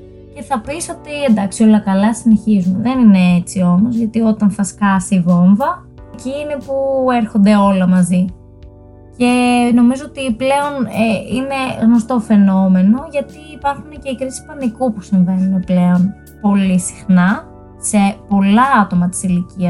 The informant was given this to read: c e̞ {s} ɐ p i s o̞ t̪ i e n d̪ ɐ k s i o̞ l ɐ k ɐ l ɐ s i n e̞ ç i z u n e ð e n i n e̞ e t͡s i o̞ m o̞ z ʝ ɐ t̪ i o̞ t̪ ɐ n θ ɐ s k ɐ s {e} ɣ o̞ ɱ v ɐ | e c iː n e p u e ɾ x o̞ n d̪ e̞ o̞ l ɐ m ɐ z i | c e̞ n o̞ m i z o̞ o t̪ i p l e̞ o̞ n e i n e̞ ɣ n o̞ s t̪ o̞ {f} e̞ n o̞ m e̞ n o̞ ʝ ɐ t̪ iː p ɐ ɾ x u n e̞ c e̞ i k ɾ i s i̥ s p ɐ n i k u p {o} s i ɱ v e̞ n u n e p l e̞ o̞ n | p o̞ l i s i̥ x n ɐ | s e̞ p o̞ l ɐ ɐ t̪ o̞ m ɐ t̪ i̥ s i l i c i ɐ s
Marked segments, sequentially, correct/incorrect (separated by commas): incorrect, incorrect, correct, incorrect